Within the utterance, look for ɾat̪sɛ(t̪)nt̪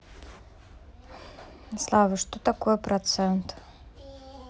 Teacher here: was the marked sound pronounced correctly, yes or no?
no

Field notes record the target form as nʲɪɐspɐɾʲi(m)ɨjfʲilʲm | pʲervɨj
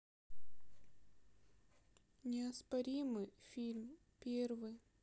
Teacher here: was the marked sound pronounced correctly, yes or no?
yes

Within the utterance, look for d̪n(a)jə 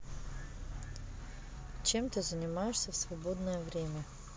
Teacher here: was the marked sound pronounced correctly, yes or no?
no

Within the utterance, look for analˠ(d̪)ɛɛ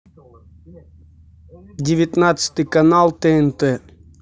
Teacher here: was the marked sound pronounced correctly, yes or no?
no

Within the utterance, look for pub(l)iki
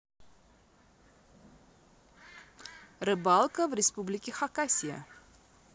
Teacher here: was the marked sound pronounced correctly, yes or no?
yes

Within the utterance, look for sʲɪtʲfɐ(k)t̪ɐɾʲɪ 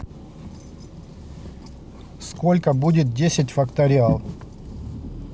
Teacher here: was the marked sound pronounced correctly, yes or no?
yes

